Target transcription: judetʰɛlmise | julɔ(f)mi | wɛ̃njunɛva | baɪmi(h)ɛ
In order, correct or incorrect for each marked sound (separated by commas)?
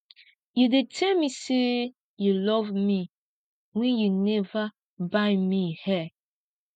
incorrect, correct